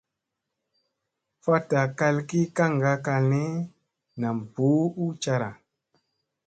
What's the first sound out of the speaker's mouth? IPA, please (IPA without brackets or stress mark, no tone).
f